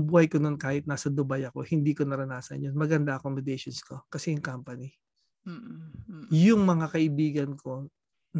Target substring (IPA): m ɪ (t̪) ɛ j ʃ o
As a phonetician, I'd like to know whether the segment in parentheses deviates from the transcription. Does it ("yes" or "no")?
yes